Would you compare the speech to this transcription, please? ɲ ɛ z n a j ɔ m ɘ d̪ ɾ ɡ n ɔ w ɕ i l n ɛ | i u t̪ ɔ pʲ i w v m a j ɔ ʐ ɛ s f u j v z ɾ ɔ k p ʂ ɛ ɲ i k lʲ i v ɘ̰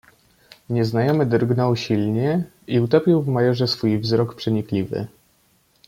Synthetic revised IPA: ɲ ɛ z n a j ɔ m ɘ d̪ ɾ ɡ n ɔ w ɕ i l ɲ ɛ | i u t̪ ɔ pʲ i w v m a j ɔ ʐ ɛ s f u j v z ɾ ɔ k p ʂ ɛ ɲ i k lʲ i v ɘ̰